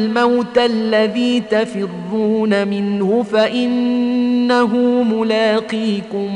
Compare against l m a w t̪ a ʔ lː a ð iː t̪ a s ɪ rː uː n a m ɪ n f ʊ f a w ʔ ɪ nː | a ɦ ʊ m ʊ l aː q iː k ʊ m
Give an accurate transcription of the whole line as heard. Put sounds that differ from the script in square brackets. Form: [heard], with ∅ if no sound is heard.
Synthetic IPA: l m a w t̪ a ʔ lː a ð iː t̪ a [f] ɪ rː uː n a m ɪ n [h] ʊ f a [∅] ʔ ɪ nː | a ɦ ʊ m ʊ l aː q iː k ʊ m